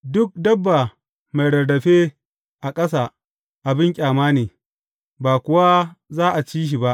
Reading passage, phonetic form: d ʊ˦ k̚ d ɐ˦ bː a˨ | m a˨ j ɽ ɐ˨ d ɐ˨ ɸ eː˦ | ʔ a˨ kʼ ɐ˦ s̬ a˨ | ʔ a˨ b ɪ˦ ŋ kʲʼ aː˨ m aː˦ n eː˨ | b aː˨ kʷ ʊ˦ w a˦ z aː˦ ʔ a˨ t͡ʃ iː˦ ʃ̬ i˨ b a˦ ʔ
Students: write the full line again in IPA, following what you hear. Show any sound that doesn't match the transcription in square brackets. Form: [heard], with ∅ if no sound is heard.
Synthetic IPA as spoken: d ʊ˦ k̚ d ɐ˦ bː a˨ | m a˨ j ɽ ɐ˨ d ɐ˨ ɸ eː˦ | ʔ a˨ kʼ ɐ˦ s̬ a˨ | ʔ a˨ b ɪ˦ ŋ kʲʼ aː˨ m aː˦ n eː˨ | b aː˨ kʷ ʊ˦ w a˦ z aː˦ ʔ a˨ t͡ʃ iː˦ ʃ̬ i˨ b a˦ ʔ